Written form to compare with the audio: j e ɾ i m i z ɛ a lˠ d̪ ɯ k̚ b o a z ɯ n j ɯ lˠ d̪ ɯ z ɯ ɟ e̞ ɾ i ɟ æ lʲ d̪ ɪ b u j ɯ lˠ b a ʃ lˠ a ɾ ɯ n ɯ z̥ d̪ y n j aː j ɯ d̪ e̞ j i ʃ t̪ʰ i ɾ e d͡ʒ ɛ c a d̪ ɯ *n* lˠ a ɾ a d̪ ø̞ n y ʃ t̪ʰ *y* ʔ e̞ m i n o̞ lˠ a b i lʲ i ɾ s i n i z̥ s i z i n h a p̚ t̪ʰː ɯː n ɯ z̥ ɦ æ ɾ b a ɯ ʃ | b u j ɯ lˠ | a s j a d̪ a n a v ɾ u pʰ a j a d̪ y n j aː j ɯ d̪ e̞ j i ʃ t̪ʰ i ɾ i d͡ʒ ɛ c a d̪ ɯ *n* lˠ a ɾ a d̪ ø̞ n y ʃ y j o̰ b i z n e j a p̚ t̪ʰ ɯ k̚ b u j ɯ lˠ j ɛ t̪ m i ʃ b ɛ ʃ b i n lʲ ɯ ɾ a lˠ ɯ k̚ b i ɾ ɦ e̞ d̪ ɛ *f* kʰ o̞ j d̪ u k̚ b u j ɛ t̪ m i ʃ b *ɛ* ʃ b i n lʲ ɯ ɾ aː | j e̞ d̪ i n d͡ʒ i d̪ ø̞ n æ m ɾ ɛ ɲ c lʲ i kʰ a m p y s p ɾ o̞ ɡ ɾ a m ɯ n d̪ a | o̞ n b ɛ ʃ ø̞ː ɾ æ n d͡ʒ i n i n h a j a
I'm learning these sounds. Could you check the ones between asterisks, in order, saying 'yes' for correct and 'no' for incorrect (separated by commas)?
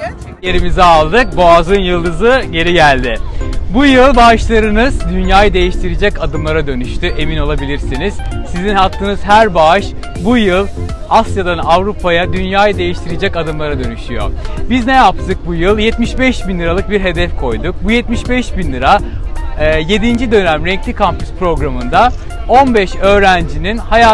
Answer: no, yes, no, yes, yes